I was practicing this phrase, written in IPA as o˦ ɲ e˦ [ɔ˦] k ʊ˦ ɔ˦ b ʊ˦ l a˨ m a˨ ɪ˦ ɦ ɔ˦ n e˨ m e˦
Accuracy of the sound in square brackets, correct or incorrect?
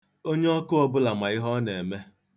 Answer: correct